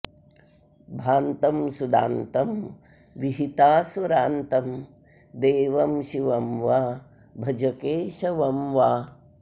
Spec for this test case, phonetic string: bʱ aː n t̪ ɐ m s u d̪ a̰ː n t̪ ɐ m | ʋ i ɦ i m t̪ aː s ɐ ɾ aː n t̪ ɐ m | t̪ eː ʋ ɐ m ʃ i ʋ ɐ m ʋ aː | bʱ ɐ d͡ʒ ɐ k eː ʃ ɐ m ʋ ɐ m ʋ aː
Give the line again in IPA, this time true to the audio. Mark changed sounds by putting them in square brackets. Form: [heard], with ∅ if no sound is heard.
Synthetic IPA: bʱ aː n t̪ ɐ m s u d̪ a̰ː n t̪ ɐ m | ʋ i ɦ i [∅] t̪ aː s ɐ ɾ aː n t̪ ɐ m | [d̪] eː ʋ ɐ m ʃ i ʋ ɐ m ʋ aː | bʱ ɐ d͡ʒ ɐ k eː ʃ ɐ [∅] ʋ ɐ m ʋ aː